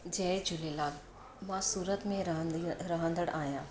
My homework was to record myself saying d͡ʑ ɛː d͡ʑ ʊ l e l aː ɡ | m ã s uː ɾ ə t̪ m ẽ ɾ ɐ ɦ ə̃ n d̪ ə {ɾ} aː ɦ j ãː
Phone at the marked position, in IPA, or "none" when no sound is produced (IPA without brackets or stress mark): ɽ